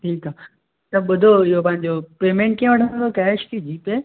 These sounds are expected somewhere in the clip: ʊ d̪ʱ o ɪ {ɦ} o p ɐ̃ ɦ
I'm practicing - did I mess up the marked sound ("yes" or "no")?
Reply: no